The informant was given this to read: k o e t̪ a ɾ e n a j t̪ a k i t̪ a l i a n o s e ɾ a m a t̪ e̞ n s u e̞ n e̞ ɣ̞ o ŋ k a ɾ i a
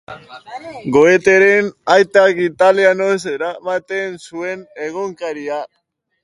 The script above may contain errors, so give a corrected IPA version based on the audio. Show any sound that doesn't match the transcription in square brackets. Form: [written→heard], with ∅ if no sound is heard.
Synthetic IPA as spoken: [k→ɡ] o e t̪ [a→e] ɾ e n a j t̪ a k i t̪ a l i a n o s e ɾ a m a t̪ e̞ n s u e̞ n e̞ ɣ̞ o ŋ k a ɾ i a